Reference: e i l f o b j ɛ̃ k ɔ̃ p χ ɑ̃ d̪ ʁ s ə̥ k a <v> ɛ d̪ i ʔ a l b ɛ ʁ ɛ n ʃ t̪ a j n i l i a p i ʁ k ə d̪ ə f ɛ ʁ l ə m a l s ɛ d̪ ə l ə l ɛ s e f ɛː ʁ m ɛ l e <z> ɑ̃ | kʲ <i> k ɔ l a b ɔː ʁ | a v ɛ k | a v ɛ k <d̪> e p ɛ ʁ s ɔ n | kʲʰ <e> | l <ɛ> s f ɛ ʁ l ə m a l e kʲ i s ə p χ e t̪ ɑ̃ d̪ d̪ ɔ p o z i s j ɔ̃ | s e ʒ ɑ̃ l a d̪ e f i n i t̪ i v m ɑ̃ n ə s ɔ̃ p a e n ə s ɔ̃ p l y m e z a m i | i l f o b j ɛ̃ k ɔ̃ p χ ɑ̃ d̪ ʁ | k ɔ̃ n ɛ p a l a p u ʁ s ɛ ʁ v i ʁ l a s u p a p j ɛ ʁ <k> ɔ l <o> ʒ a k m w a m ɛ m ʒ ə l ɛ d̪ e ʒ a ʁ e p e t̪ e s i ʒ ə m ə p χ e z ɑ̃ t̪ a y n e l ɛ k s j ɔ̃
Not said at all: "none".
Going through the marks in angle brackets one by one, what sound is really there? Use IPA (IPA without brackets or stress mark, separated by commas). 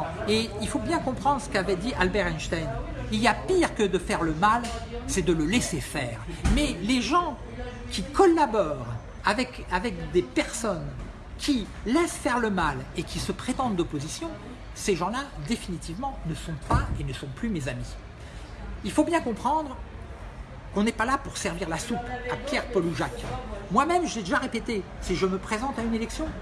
v, ʒ, i, d̪, i, ɛ, p, u